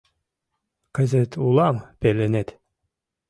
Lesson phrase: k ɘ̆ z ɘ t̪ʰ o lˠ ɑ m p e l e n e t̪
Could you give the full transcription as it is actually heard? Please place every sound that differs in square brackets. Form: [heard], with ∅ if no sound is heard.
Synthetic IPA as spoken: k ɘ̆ z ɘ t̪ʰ [u] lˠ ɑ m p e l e n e t̪